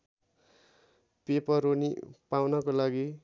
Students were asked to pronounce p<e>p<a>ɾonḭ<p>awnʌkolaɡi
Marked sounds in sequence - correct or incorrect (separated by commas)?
correct, incorrect, correct